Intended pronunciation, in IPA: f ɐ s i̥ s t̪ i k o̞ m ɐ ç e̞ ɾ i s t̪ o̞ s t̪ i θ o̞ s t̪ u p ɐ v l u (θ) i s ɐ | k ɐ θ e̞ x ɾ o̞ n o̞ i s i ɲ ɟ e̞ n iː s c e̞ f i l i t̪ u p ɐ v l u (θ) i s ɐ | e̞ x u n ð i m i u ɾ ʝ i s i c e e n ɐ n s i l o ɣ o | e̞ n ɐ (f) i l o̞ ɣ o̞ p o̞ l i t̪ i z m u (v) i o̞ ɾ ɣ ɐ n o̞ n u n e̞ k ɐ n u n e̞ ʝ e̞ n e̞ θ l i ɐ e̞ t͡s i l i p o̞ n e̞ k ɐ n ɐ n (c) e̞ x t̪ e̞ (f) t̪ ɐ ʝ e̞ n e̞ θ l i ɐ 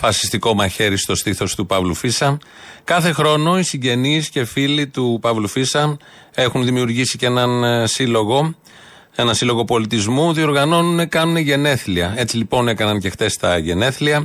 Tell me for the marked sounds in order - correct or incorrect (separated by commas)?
incorrect, incorrect, incorrect, incorrect, correct, incorrect